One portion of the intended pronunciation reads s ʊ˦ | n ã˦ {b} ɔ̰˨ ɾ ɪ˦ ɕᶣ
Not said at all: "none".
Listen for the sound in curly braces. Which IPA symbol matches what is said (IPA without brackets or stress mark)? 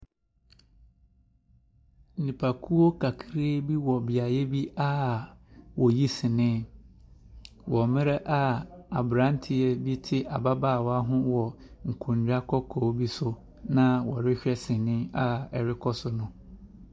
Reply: w